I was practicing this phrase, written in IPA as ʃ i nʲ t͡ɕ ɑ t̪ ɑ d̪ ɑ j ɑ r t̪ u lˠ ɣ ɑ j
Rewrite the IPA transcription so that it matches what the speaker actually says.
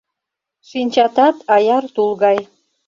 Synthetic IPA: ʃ i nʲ t͡ɕ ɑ t̪ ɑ t̪ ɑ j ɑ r t̪ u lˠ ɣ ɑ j